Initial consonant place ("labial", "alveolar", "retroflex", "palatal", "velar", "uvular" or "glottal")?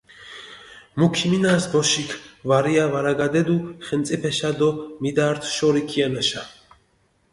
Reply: labial